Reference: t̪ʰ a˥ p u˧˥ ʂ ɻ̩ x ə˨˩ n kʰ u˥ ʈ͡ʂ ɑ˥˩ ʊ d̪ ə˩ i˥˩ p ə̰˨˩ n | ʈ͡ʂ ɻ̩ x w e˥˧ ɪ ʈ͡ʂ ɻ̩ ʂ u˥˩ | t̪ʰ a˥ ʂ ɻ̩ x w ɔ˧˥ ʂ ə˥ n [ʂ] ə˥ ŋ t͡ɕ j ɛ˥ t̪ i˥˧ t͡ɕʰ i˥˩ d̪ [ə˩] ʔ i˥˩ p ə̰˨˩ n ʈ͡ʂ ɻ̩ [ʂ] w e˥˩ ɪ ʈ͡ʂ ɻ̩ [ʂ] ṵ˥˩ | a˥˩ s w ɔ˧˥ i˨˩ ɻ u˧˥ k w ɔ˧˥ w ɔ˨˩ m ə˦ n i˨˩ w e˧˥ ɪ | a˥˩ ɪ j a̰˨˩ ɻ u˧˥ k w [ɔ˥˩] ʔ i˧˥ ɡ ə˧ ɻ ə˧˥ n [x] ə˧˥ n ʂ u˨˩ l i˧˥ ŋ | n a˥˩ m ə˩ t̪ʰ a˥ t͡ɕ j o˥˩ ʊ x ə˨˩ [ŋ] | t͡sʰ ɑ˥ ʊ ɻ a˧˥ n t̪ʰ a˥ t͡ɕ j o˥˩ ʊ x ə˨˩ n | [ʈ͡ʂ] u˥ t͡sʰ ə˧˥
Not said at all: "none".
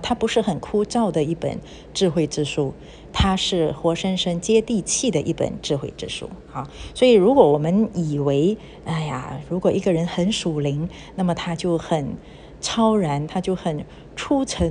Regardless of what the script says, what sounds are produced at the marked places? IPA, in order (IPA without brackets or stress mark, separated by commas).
ʂ, ə˩, x, ʂ, ɔ˨˩, x, n, ʈ͡ʂʰ